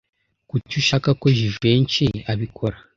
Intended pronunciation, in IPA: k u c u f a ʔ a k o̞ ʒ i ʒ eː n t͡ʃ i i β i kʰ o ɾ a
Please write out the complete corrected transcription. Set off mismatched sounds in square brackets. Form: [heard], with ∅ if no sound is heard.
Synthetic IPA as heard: k u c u [ʃ] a [k] a k o̞ ʒ i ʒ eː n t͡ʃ i [a] β i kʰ o ɾ a